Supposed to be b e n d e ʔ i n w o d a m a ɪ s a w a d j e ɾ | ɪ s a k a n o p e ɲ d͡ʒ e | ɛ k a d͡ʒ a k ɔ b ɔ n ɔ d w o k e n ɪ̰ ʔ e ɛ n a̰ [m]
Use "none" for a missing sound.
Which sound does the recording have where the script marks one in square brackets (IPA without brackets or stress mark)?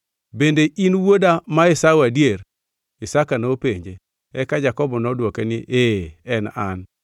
n